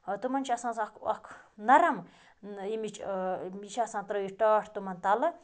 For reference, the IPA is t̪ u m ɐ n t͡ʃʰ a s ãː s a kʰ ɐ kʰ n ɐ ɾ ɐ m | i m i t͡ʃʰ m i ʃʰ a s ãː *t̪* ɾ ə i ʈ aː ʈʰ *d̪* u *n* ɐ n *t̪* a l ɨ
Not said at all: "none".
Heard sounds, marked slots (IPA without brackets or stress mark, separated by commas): t̪, t̪, m, t̪